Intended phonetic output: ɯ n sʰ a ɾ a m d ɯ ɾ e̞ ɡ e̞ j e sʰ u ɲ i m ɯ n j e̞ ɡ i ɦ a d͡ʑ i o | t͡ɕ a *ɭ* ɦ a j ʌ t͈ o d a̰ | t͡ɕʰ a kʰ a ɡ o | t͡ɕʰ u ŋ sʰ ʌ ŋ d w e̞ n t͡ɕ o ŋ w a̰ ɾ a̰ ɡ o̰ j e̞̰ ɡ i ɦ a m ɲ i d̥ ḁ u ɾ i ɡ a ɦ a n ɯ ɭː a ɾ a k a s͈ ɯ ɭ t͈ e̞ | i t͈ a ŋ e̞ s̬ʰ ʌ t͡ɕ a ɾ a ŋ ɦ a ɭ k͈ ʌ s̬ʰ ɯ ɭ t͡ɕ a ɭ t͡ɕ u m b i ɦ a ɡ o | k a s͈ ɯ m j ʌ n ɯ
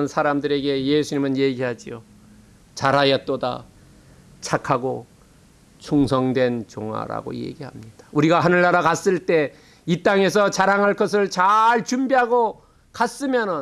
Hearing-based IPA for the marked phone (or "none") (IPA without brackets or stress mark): ɾ